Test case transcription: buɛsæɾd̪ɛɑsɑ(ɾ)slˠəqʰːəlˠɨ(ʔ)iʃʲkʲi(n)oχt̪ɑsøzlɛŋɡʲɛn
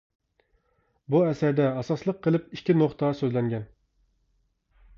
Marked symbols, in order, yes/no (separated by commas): no, no, yes